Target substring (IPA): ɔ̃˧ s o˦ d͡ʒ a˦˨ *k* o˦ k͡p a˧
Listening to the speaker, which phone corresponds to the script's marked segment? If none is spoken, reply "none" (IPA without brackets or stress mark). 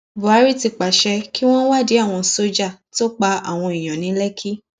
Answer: t